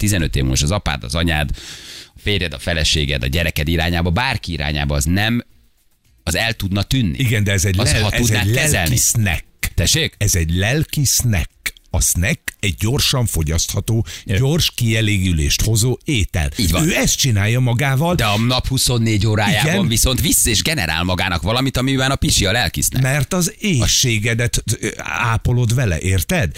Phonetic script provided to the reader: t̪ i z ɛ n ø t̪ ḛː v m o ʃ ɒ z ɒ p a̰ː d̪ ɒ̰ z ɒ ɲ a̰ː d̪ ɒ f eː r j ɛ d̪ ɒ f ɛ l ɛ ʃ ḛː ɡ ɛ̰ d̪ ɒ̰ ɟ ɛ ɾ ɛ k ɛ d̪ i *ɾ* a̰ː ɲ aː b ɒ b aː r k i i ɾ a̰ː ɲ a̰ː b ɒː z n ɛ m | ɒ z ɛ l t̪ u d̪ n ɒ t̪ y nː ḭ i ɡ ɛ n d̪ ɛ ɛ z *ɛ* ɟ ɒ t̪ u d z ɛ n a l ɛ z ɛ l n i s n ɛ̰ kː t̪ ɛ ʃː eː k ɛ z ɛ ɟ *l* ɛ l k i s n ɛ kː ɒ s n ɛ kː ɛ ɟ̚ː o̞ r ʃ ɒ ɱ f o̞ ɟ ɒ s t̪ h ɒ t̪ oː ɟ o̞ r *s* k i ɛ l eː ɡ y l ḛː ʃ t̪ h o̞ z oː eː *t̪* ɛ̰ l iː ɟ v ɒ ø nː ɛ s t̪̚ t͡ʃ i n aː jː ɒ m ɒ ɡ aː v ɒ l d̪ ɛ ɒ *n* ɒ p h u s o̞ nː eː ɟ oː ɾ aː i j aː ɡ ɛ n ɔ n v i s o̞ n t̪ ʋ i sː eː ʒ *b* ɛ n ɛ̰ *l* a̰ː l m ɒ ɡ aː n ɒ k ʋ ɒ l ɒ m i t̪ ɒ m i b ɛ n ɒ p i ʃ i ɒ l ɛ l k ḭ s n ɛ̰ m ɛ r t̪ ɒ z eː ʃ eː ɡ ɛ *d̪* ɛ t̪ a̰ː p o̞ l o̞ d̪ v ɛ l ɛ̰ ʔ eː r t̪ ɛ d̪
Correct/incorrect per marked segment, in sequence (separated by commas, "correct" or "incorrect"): correct, correct, correct, incorrect, correct, correct, incorrect, incorrect, correct